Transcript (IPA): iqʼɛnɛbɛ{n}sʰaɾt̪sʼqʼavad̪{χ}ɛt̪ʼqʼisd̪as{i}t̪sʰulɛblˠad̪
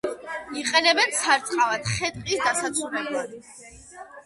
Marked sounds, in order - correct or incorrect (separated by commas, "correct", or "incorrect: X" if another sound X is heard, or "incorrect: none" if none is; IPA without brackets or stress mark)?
correct, correct, incorrect: a